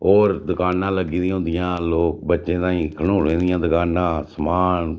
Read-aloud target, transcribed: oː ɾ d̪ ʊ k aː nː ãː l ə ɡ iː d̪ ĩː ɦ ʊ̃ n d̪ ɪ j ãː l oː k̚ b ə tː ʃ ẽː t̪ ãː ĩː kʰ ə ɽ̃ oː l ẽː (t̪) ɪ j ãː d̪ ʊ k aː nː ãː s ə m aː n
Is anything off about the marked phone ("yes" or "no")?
yes